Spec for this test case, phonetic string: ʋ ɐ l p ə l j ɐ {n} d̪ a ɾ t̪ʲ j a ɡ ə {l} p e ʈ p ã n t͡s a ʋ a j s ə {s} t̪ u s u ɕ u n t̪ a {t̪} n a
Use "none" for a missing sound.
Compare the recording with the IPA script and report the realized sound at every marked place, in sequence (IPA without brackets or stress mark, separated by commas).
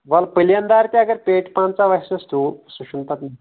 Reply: n, ɾ, s, t̪